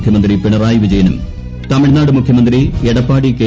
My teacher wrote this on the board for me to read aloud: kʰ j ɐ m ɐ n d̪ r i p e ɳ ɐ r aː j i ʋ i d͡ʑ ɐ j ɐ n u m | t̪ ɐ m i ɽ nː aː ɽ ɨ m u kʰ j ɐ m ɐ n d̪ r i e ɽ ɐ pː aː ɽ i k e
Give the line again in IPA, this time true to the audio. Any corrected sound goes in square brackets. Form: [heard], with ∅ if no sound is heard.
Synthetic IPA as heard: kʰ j ɐ m ɐ n d̪ r i p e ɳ ɐ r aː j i ʋ i d͡ʑ ɐ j ɐ n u m | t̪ ɐ m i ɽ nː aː ɽ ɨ m u kʰ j ɐ m ɐ n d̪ r i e ɽ ɐ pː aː ɽ i k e